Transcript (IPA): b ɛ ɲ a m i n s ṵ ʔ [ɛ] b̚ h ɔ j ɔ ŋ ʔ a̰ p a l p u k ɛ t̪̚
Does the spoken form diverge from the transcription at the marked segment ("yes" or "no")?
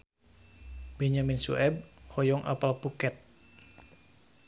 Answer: no